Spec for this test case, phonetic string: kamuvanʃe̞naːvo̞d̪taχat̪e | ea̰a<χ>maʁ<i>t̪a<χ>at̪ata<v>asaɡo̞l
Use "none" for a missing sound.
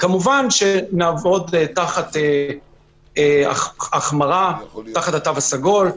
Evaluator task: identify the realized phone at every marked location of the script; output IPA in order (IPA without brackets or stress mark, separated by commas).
χ, a, χ, v